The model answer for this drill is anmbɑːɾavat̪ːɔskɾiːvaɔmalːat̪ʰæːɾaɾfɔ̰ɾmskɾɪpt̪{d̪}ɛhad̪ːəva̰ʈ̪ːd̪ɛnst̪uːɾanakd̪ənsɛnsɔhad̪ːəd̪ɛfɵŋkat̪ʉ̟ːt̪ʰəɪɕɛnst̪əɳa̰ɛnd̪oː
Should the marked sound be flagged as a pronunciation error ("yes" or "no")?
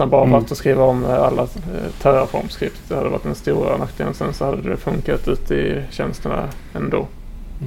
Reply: no